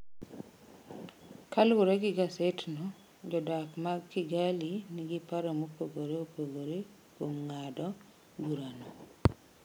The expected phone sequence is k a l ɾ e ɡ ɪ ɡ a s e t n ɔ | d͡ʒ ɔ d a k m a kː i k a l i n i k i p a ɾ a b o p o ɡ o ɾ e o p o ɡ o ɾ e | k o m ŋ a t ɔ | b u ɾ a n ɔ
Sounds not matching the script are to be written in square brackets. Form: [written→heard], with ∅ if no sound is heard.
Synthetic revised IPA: k a l ɾ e ɡ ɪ ɡ a s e t n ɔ | d͡ʒ ɔ d a k m a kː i [k→ɡ] a l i n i [k→ɡ] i p a ɾ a [b→m] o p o ɡ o ɾ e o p o ɡ o ɾ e | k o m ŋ a [t→d] ɔ | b u ɾ a n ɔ